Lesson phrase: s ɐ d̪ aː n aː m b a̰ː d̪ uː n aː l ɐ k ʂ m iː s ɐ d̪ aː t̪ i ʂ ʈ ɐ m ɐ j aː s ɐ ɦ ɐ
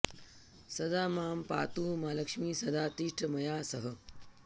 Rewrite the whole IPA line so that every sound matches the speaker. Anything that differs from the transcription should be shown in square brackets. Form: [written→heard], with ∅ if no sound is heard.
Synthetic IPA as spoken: s ɐ d̪ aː [n→m] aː m [b→p] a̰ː [d̪→t̪] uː [n→m] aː l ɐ k ʂ m iː s ɐ d̪ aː t̪ i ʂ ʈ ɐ m ɐ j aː s ɐ ɦ ɐ